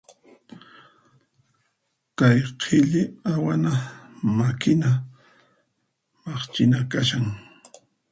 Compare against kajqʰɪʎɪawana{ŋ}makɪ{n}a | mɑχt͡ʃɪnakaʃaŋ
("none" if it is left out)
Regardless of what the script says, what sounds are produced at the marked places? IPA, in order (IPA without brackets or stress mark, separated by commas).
none, n